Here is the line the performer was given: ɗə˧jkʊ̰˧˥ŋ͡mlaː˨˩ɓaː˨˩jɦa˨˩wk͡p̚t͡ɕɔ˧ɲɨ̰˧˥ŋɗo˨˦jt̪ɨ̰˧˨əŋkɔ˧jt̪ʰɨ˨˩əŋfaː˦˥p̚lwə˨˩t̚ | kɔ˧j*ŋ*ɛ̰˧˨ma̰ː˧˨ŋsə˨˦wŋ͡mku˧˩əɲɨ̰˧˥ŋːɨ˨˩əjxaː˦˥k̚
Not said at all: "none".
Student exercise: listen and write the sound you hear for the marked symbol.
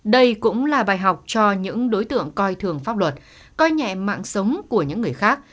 ɲ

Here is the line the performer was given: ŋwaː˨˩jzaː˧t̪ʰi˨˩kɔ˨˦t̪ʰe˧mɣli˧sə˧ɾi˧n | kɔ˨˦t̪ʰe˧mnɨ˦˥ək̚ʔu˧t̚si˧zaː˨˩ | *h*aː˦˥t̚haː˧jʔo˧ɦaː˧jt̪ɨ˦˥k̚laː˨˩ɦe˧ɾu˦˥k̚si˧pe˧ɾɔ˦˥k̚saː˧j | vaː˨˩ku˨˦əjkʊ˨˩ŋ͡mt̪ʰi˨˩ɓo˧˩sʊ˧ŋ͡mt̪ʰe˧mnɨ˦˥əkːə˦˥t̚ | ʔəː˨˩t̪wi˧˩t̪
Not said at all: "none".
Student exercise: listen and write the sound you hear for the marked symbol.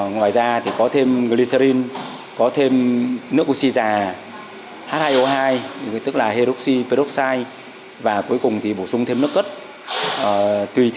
h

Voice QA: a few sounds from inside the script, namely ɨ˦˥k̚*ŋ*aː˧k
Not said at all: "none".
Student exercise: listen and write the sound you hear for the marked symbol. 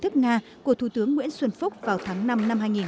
ŋ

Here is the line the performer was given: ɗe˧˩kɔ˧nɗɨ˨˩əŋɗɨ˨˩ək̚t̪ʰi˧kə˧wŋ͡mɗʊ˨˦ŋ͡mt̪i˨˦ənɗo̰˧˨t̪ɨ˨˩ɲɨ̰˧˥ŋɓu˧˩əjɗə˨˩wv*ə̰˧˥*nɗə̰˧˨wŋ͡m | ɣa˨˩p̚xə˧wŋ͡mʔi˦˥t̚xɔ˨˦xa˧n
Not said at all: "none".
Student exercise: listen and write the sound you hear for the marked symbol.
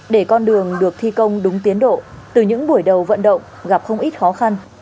ə̰˧˨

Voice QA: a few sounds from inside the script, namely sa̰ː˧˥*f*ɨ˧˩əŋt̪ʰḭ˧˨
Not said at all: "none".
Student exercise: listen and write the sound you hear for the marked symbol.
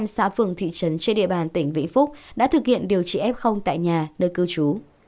f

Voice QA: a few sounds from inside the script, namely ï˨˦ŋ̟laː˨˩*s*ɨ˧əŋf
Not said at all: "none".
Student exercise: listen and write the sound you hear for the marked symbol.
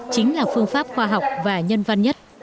f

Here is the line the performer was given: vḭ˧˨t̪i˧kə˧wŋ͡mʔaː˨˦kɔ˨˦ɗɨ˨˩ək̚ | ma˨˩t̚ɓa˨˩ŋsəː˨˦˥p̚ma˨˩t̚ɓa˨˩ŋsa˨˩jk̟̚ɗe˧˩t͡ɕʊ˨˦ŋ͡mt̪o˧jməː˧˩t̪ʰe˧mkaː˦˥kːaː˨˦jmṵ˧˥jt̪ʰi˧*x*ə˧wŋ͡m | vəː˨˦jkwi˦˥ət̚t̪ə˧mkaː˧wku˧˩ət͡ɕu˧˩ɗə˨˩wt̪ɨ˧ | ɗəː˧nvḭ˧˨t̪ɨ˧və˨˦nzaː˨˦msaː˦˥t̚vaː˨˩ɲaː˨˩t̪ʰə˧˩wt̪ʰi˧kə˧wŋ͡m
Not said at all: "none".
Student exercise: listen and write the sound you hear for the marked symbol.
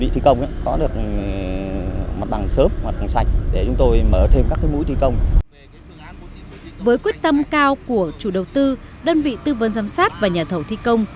k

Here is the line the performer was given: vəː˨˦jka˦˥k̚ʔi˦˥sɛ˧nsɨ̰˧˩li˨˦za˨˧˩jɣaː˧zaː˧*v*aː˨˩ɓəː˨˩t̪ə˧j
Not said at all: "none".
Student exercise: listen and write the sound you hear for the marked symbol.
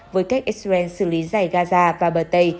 v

